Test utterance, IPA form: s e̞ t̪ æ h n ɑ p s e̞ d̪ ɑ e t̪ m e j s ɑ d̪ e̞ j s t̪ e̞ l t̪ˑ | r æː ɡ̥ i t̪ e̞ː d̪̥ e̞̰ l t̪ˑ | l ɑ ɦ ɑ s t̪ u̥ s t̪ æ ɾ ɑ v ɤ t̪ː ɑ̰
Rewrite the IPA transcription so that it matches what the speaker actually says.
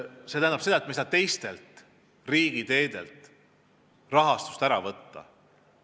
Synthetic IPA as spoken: s e̞ t̪ æ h n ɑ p s e̞ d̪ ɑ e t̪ m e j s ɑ t̪ e̞ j s t̪ e̞ l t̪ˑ | r iː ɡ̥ i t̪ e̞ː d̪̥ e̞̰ l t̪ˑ | r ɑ ɦ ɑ s t̪ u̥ s t̪ æ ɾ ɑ v ɤ t̪ː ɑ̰